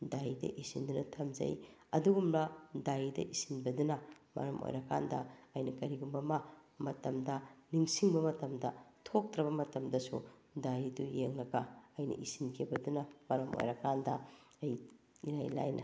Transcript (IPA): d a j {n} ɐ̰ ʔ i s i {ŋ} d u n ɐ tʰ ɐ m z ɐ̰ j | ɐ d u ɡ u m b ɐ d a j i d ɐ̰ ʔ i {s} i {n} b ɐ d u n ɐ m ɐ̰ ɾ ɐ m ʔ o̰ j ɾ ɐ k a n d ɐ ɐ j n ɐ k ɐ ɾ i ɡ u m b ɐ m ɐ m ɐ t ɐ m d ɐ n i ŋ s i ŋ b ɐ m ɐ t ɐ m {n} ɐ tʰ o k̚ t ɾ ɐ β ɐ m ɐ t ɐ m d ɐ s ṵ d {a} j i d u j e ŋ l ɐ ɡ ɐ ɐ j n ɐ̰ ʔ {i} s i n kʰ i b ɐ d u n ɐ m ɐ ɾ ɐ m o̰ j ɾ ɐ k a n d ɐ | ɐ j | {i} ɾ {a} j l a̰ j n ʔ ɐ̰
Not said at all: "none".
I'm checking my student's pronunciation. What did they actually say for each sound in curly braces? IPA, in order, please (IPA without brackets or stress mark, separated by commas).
d, n, s, n, d, a, i, i, a